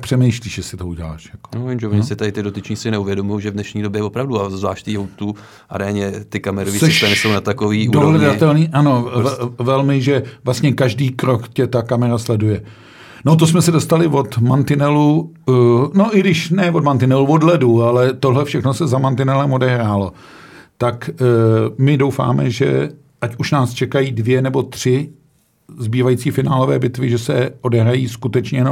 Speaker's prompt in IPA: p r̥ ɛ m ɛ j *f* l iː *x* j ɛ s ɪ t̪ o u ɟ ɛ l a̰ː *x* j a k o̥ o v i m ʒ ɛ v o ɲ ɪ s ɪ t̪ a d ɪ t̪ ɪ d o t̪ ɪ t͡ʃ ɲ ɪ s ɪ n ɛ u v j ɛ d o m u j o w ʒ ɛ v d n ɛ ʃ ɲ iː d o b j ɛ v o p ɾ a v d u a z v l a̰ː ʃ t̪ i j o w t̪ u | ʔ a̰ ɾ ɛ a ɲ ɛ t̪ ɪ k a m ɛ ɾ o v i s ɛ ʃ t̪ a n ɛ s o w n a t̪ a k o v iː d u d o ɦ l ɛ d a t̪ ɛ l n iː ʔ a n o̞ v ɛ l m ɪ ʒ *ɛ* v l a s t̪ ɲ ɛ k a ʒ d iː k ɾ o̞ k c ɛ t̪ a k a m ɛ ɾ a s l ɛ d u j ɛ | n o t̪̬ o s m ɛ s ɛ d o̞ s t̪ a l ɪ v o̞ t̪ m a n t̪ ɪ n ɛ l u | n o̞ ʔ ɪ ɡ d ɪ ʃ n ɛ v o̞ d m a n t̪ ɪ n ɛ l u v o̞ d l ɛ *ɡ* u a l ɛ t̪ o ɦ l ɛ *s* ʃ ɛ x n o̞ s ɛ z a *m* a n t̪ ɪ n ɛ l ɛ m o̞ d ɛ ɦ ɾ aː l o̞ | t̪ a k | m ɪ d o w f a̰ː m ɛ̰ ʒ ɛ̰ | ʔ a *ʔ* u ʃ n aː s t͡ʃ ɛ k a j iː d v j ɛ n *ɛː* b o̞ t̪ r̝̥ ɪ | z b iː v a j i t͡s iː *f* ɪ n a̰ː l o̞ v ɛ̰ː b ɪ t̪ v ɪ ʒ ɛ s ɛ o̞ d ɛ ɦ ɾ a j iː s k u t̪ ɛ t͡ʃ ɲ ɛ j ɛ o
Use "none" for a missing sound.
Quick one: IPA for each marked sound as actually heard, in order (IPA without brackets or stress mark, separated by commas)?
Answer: ʃ, ʃ, ʃ, ɛ, d, f, m, c, ɛ, f